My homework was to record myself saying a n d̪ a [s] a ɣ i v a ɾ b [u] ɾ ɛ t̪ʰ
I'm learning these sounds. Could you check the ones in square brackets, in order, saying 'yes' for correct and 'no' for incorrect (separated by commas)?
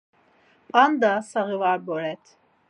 yes, no